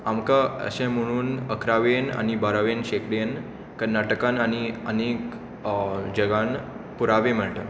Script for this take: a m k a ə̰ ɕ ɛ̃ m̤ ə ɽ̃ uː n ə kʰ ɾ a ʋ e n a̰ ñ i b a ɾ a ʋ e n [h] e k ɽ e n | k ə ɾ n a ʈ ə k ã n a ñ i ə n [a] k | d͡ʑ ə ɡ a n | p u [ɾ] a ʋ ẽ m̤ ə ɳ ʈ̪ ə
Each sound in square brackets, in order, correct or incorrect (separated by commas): incorrect, incorrect, correct